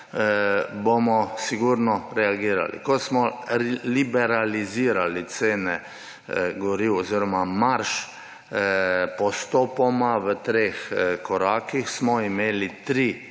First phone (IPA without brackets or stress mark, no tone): b